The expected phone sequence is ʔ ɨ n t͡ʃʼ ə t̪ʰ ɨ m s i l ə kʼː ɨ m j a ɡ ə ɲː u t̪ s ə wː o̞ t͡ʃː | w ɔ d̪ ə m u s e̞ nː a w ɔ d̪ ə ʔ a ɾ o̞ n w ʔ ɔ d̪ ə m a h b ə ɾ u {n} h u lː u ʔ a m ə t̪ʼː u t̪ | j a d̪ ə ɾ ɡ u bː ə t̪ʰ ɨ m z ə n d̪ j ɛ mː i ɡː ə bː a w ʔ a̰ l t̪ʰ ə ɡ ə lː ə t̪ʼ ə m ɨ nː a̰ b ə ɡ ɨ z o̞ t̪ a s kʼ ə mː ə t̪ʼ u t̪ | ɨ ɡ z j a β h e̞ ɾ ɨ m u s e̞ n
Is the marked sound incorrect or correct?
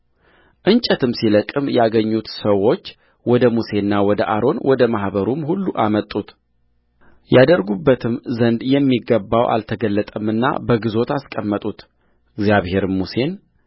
incorrect